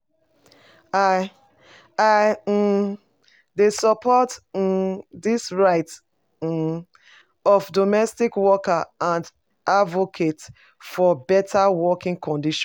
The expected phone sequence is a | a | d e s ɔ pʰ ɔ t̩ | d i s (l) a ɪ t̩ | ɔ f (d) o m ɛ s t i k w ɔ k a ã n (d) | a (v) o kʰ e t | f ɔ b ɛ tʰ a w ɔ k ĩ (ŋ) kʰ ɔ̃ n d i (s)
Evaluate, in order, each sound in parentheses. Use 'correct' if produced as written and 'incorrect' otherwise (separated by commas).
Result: incorrect, correct, correct, correct, correct, incorrect